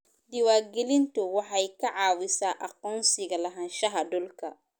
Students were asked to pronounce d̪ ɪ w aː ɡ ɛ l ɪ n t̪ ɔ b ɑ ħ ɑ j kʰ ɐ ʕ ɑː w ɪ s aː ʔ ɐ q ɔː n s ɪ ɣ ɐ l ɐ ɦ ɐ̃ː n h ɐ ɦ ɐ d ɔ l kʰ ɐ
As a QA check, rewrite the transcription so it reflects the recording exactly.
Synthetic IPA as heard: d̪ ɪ w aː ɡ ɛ l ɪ n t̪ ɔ w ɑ ħ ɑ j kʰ ɐ ʕ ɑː w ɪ s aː ʔ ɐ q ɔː n s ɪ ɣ ɐ l ɐ ɦ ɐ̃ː n ʃ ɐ ɦ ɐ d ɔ l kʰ ɐ